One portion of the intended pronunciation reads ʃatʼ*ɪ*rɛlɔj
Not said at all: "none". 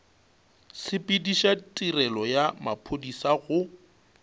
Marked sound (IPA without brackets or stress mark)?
i